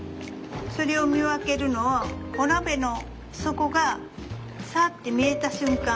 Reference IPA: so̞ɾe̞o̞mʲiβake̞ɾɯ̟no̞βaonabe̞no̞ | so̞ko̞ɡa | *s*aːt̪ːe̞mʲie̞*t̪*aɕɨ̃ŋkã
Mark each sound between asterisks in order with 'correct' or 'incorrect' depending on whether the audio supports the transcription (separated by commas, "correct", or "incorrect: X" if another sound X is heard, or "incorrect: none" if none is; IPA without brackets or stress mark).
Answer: correct, correct